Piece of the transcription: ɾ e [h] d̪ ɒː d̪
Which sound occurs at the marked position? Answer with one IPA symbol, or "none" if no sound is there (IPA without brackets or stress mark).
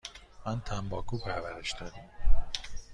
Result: ʃ